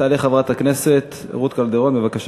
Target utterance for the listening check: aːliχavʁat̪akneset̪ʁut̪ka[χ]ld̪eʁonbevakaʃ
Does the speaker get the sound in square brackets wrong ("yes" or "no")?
yes